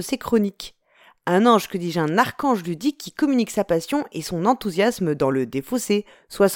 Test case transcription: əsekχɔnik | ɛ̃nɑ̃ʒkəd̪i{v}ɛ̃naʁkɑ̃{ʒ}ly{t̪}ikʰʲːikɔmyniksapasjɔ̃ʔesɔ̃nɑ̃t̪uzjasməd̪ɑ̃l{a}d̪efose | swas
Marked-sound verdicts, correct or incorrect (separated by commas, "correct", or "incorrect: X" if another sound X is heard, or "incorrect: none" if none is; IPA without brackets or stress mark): incorrect: ʒ, correct, incorrect: d̪, incorrect: ə